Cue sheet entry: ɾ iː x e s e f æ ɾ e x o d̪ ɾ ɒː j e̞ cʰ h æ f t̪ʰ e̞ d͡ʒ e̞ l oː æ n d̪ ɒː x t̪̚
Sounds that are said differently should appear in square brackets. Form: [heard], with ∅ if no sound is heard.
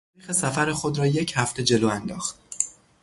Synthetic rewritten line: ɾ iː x e s [æ] f æ ɾ e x o d̪ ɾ ɒː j e̞ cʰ h æ f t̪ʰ e̞ d͡ʒ e̞ l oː æ n d̪ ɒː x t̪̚

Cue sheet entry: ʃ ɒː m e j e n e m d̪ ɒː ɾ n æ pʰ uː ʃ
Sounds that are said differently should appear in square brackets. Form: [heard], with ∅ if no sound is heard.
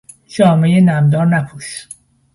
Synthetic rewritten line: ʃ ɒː m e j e n [æ] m d̪ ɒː ɾ n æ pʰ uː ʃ

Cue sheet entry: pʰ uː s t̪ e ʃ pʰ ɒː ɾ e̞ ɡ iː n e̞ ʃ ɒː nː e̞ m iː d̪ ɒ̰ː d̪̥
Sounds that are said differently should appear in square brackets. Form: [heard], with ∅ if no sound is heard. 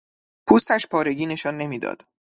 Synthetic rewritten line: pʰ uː s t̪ [æ] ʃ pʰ ɒː ɾ e̞ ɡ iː n e̞ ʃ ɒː nː e̞ m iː d̪ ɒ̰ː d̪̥

